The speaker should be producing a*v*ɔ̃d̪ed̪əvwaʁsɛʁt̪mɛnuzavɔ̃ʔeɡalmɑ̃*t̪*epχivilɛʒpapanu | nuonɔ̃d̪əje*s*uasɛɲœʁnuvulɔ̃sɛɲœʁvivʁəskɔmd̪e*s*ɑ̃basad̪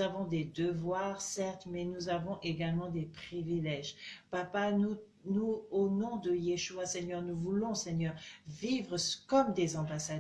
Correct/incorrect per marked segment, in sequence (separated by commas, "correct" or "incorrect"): correct, incorrect, incorrect, incorrect